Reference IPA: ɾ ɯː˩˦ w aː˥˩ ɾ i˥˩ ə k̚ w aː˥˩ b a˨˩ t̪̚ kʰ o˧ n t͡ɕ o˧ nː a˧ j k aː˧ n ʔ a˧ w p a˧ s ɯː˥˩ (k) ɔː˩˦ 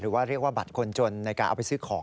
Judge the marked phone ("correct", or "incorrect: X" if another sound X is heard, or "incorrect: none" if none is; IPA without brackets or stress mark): incorrect: kʰ